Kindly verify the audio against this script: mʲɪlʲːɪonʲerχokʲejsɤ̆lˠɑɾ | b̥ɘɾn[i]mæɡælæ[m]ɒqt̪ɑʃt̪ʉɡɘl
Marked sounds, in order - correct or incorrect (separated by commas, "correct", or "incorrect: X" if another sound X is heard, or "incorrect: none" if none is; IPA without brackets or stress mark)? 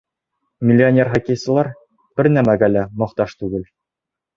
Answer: incorrect: æ, correct